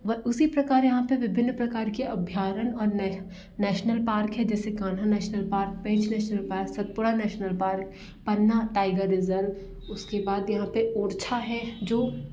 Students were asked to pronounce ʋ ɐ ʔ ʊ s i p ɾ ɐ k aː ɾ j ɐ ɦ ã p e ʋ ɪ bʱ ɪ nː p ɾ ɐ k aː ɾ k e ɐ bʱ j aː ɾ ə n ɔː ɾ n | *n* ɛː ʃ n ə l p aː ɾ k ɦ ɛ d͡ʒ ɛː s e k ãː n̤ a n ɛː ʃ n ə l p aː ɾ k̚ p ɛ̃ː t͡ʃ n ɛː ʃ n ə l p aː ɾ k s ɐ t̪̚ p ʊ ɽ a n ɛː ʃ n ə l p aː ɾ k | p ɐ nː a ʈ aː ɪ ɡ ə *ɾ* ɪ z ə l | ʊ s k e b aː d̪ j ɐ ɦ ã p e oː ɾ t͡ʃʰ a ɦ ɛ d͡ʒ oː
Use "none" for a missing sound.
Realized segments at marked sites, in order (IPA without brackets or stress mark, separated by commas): n, ɾ